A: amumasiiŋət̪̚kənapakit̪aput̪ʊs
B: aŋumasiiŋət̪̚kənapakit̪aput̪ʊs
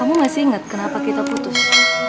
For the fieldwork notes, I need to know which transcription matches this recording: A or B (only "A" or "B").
A